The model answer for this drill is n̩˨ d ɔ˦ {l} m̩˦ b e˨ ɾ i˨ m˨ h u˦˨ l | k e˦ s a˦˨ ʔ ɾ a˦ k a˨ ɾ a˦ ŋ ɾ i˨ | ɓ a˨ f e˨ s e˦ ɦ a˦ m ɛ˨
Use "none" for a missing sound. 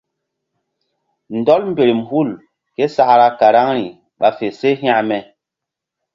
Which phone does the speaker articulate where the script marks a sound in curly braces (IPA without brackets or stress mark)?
l